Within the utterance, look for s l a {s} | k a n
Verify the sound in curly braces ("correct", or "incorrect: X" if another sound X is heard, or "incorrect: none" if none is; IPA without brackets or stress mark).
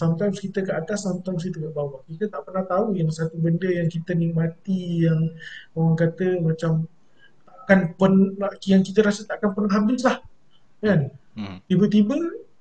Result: incorrect: h